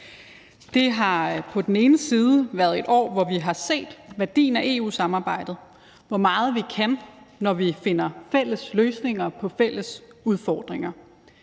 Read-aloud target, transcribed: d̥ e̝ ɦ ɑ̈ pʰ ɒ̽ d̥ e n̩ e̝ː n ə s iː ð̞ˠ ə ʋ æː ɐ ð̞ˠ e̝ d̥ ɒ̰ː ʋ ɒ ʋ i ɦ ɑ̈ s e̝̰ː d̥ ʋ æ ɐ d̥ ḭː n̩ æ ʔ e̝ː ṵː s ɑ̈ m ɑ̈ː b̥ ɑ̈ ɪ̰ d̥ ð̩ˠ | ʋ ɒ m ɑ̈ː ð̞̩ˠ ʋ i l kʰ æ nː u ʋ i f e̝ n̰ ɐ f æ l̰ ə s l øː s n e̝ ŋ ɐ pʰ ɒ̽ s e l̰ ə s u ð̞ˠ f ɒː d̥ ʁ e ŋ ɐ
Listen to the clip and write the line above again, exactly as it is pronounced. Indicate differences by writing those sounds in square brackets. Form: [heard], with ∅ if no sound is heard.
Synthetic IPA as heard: d̥ e̝ ɦ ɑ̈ pʰ ɒ̽ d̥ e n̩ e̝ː n ə s iː ð̞ˠ ə ʋ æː ɐ ð̞ˠ e̝ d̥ ɒ̰ː ʋ ɒ ʋ i ɦ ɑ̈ s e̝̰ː d̥ ʋ æ ɐ d̥ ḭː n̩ æ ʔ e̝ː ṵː s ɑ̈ m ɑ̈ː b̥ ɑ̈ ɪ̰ d̥ ð̩ˠ | ʋ ɒ m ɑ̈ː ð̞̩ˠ ʋ i [∅] kʰ æ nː [ɒ] ʋ i f e̝ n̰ ɐ f [e] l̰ ə s l øː s n e̝ ŋ ɐ pʰ ɒ̽ [f] e l̰ ə s u ð̞ˠ f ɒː d̥ ʁ e ŋ ɐ

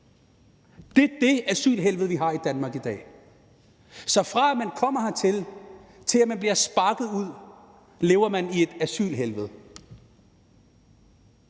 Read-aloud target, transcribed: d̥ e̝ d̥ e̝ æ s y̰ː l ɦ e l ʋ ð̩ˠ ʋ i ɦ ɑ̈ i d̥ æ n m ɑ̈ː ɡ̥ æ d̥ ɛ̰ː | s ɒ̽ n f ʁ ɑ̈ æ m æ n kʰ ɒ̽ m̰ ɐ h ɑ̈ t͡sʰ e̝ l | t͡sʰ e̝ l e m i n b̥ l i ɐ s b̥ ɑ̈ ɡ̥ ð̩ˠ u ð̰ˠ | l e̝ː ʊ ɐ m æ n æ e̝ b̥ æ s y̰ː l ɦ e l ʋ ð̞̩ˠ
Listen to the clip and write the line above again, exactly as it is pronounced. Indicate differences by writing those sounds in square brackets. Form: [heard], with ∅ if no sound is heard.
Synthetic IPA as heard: d̥ e̝ d̥ e̝ æ s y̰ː l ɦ e l ʋ ð̩ˠ ʋ i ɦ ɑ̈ i d̥ æ n m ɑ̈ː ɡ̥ [i] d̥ ɛ̰ː | s ɒ̽ [∅] f ʁ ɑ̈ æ m æ n kʰ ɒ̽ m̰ ɐ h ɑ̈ t͡sʰ e̝ l | t͡sʰ e̝ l [æ] m [æ] n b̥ l i ɐ s b̥ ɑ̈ ɡ̥ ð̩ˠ u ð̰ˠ | l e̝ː ʊ ɐ m æ n [i] e̝ [d̥] æ s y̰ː l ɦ e l ʋ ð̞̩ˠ

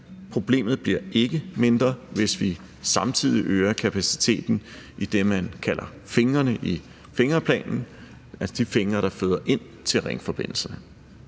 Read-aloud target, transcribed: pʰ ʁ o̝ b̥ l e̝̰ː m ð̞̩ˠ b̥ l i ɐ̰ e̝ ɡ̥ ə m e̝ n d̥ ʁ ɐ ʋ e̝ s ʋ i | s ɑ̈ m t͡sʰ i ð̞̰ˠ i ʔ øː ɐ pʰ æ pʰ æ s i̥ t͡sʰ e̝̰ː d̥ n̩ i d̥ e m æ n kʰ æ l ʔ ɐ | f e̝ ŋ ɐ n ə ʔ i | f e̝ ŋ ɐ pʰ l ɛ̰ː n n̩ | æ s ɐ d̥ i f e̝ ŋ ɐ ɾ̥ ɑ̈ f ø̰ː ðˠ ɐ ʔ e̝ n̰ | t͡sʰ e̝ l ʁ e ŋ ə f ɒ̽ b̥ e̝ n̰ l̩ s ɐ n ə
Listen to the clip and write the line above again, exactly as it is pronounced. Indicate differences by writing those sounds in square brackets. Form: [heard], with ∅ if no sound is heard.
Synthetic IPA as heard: pʰ ʁ o̝ b̥ l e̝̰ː m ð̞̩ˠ b̥ l i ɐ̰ e̝ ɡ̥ ə m e̝ n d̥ ʁ ɐ ʋ e̝ s ʋ i | s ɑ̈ m t͡sʰ i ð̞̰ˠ i ʔ øː ɐ [kʰ] æ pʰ æ s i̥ t͡sʰ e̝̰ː d̥ n̩ i d̥ e m æ n kʰ æ l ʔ ɐ | f e̝ ŋ ɐ n ə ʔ i | f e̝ ŋ ɐ pʰ l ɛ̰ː n n̩ | æ s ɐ d̥ i f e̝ ŋ ɐ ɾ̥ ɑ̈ f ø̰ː ðˠ ɐ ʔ e̝ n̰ | t͡sʰ e̝ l ʁ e ŋ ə f ɒ̽ b̥ e̝ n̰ l̩ s ɐ n ə

